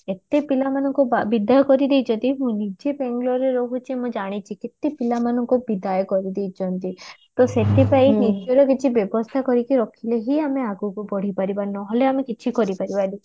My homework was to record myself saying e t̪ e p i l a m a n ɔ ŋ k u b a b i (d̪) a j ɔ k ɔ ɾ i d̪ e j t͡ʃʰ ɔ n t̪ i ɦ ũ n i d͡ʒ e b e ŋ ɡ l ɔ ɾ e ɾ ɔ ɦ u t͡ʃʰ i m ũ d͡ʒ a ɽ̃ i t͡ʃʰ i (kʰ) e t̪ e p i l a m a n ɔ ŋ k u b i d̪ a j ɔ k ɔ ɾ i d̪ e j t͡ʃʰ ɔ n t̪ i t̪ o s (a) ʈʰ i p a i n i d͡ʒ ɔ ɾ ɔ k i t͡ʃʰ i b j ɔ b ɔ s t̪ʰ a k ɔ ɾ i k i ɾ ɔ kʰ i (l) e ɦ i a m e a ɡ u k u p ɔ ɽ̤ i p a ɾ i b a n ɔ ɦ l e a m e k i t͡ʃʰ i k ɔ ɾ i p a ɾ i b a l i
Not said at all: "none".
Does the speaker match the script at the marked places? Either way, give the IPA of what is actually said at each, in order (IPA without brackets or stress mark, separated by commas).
d̪, k, e, l